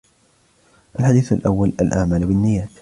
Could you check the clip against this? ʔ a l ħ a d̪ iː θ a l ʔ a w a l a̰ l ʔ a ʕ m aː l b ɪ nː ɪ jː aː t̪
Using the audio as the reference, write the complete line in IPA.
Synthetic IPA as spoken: ʔ a l ħ a d̪ iː θ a l ʔ a wː a l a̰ l ʔ a ʕ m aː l b ɪ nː ɪ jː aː t̪

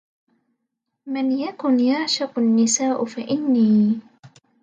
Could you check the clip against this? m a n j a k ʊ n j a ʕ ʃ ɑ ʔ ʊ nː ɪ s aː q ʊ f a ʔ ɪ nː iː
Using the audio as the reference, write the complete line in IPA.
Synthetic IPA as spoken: m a n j a k ʊ n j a ʕ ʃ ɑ q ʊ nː ɪ s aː ʔ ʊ f a ʔ ɪ nː iː

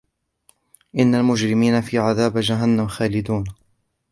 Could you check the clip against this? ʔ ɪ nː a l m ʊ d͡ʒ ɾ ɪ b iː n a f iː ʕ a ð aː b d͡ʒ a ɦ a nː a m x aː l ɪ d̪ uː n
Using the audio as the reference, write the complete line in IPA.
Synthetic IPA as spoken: ʔ ɪ nː a l m ʊ d͡ʒ ɾ ɪ m iː n a f iː ʕ a ð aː b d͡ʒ a ɦ a nː a m x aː l ɪ d̪ uː n

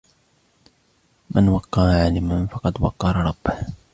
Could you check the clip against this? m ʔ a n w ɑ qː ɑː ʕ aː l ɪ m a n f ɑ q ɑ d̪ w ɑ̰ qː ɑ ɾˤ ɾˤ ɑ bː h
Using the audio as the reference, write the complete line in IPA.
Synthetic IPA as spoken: m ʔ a n w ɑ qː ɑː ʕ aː l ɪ m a n f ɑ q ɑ d̪ w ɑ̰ qː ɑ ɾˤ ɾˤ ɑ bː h

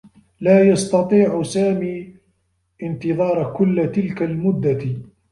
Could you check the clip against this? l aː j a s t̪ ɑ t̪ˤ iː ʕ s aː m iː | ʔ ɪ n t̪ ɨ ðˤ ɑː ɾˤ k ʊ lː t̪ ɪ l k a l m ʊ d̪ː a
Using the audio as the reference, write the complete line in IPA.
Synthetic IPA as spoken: l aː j ɑ s t̪ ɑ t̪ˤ iː ʕ s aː m iː | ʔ ɪ n t̪ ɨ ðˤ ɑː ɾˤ k ʊ lː t̪ ɪ l k a l m ʊ d̪ː a

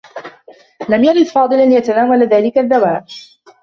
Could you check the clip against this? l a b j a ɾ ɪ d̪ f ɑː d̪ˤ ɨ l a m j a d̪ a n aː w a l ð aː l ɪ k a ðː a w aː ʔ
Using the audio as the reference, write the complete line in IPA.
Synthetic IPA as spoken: l a m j a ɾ ɪ d̪ f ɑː d̪ˤ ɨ l a n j a t̪ a n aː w a l ð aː l ɪ k a ðː a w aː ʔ

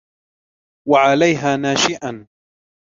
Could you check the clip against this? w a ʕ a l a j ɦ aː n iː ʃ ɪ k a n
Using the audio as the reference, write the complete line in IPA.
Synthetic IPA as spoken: w a ʕ a l a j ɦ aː n aː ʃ ɪ ʔ a n

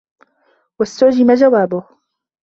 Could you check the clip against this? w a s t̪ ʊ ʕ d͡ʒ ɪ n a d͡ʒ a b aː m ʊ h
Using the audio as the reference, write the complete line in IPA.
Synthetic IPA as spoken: w a s t̪ ʊ ʕ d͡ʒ ɪ m a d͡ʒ a w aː b ʊ h

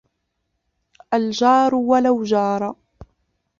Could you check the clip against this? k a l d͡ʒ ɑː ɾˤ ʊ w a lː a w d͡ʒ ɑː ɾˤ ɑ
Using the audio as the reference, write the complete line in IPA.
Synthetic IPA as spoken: ʔ a l d͡ʒ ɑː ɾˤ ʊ w a l a w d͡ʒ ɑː ɾˤ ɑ

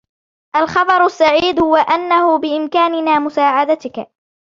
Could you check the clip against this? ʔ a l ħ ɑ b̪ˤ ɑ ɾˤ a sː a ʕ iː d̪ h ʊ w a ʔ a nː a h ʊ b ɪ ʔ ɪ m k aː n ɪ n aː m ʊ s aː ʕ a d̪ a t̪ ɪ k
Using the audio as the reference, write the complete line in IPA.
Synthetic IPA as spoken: ʔ a l x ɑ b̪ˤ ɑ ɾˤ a sː a ʕ iː d̪ h ʊ w a ʔ a nː a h ʊ b ɪ ʔ ɪ m k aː n ɪ n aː m ʊ s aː ʕ a d̪ a t̪ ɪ k

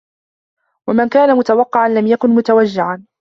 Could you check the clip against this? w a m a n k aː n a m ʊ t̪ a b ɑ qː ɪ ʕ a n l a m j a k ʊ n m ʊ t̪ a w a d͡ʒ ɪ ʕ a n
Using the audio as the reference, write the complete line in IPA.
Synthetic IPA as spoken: w a m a n k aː n a m ʊ t̪ a w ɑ qː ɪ ʕ a n l a m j a k ʊ n m ʊ t̪ a w a d͡ʒː ɪ ʕ a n

